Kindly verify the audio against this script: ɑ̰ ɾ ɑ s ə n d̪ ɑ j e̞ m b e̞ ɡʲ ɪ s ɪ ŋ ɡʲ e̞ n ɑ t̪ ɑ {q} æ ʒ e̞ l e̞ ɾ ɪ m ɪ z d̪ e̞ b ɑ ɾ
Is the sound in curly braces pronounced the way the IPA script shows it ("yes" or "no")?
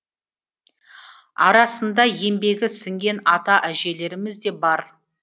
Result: no